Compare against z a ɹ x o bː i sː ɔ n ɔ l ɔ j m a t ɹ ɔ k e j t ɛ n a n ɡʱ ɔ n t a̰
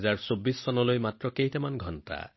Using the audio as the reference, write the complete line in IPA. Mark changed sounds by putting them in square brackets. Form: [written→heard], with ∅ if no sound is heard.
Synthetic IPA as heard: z a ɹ [x→s] o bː i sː ɔ n ɔ l [ɔ→o] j m a t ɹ ɔ k e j t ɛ [n→m] a n ɡʱ ɔ n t a̰